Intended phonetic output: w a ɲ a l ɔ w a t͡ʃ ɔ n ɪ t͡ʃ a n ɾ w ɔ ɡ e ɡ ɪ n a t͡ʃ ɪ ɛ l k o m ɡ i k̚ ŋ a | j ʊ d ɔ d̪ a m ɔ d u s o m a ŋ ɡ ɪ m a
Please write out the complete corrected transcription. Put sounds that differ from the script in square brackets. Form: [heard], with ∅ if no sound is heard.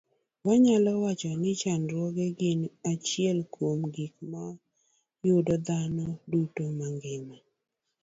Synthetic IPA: w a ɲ a l ɔ w a t͡ʃ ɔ n ɪ t͡ʃ a n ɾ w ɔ ɡ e ɡ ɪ n a t͡ʃ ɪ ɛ l k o m ɡ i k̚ [m] a | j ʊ d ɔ d̪ a [n] ɔ d u [t] o m a ŋ ɡ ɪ m a